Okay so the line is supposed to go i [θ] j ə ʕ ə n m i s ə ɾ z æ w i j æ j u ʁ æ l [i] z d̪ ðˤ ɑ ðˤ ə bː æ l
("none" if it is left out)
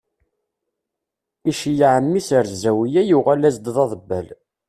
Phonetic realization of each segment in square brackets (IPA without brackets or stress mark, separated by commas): ʃ, æ